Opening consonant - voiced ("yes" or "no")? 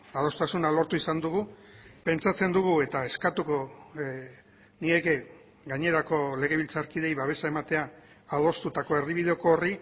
yes